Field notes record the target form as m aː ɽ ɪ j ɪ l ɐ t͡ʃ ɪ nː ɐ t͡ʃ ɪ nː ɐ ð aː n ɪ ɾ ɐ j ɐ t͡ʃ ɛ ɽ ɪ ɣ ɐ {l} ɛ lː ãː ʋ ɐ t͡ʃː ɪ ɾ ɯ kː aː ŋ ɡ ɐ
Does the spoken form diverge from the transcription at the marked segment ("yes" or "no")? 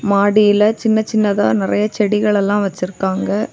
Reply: yes